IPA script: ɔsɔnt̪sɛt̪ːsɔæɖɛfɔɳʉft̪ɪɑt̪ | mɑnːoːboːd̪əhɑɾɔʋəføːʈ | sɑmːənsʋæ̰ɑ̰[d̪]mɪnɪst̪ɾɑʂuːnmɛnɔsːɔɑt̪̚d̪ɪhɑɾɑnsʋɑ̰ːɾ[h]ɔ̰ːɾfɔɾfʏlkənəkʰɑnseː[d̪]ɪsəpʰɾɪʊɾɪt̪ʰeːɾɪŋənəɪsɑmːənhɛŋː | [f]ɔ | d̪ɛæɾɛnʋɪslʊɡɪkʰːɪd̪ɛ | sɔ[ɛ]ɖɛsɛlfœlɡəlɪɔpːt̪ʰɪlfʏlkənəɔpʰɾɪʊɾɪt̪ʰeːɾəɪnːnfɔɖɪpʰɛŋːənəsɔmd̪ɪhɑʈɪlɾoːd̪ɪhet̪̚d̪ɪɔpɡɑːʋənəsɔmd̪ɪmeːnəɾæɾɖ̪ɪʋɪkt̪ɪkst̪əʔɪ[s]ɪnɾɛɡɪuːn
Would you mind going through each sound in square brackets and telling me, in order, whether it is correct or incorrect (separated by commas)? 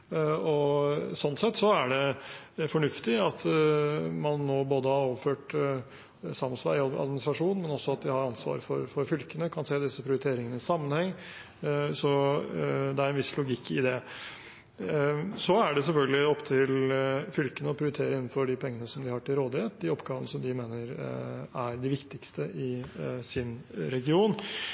correct, incorrect, correct, incorrect, incorrect, correct